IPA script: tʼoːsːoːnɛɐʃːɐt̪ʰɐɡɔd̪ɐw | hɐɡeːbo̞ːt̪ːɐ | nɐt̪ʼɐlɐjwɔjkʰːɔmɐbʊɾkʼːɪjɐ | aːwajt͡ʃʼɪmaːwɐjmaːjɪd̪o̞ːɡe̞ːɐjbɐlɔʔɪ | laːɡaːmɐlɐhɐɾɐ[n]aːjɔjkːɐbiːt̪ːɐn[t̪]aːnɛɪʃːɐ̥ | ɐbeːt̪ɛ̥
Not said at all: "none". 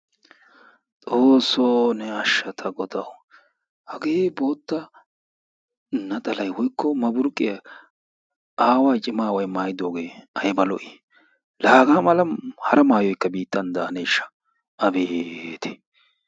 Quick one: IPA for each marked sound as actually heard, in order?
m, d̪

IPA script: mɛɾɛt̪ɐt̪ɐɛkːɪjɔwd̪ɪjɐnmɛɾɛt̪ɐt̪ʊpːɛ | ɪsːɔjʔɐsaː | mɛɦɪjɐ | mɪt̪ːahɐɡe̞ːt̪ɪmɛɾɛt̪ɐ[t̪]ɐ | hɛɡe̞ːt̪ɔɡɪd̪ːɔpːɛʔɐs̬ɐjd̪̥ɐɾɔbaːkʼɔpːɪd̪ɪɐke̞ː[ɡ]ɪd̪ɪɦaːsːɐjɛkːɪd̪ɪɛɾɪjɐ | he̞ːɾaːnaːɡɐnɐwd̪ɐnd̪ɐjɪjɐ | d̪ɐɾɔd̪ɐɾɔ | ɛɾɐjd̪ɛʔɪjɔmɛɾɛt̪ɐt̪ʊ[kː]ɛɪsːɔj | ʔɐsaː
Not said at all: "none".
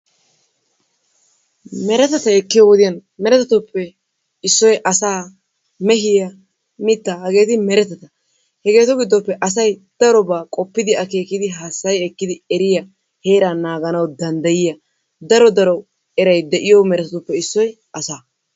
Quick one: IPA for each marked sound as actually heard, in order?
t̪, k, pː

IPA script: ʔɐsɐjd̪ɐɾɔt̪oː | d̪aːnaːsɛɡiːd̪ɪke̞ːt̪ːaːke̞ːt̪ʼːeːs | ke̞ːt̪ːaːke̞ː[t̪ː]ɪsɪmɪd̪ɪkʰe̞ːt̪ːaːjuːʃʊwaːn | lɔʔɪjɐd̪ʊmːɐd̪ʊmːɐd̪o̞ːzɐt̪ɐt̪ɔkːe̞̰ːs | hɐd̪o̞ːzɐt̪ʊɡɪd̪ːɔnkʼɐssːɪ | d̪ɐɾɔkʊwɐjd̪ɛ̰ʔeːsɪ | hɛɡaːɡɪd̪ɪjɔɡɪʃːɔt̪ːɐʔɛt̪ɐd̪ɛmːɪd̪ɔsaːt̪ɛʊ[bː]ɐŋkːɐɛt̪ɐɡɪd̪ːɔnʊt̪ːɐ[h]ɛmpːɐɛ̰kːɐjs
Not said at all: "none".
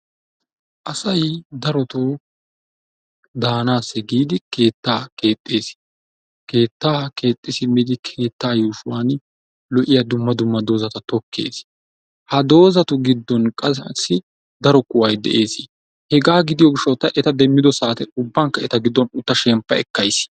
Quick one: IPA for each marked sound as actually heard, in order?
t̪ʼː, bː, ʃ

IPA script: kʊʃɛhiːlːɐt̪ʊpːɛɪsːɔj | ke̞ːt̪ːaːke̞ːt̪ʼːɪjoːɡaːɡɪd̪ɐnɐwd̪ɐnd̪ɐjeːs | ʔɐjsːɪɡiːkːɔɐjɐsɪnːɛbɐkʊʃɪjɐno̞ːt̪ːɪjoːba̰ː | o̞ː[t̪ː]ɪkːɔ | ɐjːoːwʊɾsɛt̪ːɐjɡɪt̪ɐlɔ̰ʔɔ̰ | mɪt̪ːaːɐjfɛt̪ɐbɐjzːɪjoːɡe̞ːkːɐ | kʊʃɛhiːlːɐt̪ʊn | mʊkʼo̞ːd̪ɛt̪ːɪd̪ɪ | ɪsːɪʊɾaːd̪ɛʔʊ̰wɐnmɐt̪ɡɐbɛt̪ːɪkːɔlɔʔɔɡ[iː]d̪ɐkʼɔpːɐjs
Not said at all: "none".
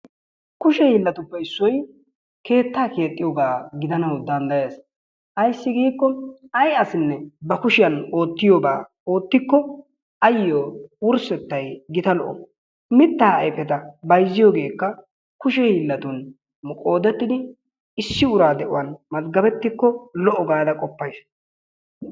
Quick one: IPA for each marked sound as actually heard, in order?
t̪ː, aː

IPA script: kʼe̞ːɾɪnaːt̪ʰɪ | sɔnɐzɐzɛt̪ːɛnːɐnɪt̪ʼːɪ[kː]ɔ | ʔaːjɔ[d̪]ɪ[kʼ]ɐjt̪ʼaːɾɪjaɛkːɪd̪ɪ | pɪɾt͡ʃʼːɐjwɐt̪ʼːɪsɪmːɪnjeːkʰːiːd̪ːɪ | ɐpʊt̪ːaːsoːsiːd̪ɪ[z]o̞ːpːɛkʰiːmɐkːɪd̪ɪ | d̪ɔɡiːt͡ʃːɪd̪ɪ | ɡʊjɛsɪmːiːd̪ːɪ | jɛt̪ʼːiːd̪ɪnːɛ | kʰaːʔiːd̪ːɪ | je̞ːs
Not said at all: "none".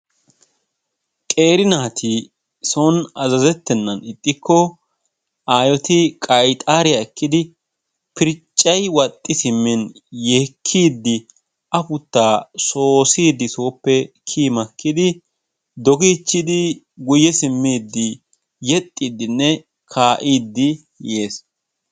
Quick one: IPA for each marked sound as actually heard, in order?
kː, t̪, kʼ, s

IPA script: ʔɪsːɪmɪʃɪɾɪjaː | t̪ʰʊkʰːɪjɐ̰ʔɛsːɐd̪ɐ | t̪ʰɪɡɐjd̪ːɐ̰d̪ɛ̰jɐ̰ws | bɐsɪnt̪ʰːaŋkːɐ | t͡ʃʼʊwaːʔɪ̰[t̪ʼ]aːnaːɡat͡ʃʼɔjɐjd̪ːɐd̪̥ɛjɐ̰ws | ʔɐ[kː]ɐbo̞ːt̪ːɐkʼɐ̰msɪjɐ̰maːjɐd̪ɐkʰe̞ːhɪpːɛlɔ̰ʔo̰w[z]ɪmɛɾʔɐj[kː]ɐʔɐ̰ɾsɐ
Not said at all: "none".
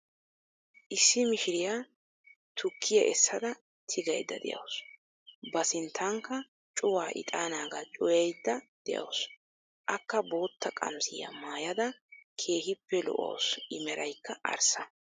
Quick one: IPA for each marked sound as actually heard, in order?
t̪ʼ, kː, s, kː

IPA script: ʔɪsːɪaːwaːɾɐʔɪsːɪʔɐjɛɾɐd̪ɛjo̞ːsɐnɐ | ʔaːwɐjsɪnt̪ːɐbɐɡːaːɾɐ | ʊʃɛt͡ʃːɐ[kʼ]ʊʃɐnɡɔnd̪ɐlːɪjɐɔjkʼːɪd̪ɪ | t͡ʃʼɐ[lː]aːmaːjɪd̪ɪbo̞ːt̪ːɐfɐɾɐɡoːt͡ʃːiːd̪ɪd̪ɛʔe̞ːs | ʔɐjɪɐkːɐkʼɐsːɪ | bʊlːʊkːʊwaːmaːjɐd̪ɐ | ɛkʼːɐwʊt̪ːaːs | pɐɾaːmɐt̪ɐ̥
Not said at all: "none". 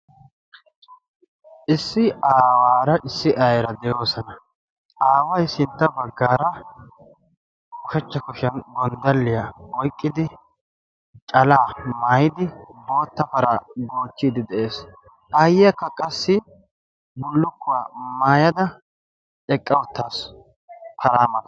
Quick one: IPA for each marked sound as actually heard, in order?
k, l

